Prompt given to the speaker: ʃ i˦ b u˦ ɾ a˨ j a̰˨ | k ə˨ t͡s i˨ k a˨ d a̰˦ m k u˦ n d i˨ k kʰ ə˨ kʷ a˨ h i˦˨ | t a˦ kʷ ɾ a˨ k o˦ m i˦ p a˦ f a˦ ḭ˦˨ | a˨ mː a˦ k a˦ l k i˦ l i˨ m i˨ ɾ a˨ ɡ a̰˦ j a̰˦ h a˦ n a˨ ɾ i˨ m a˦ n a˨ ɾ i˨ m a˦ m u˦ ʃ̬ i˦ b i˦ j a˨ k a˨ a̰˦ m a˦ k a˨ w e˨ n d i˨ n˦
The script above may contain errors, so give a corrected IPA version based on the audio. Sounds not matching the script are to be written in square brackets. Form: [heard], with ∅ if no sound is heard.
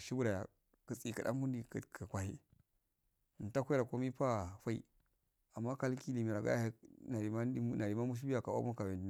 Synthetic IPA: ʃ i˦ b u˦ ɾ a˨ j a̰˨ | k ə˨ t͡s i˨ k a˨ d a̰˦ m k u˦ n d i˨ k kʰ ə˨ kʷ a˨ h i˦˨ | t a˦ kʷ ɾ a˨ k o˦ m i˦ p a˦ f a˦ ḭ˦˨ | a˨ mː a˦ k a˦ l k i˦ l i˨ m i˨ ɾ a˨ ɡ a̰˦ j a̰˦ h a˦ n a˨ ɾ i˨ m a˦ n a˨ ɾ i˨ m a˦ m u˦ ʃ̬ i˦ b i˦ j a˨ k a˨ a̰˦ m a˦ k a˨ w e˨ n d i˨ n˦